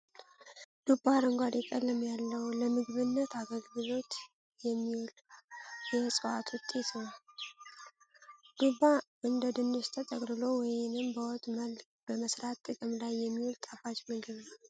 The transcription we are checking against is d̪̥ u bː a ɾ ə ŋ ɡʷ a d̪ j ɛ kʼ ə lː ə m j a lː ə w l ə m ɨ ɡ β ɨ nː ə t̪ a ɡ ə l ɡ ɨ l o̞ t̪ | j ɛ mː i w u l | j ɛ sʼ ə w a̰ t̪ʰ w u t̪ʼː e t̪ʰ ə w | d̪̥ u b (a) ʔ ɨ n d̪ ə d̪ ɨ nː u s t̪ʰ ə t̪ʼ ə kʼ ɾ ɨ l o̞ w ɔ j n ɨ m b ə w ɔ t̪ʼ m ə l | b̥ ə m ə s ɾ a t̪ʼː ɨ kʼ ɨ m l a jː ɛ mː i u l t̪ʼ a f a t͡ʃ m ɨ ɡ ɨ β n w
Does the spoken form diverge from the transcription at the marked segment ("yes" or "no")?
no